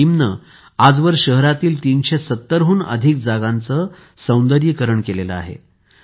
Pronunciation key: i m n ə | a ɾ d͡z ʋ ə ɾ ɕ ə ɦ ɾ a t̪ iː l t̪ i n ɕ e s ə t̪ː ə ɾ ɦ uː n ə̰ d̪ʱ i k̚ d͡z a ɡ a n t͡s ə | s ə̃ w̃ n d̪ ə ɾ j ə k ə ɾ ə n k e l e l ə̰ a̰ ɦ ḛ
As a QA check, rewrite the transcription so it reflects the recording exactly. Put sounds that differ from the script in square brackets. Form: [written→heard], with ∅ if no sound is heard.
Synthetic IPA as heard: i m n ə | a [ɾ→∅] d͡z ʋ ə ɾ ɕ ə ɦ ɾ a t̪ iː l t̪ i n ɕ e s ə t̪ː ə ɾ ɦ uː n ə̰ d̪ʱ i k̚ d͡z a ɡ a n t͡s ə | s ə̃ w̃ n d̪ ə ɾ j ə k ə ɾ ə [n→ɳ] k e l e l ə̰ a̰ ɦ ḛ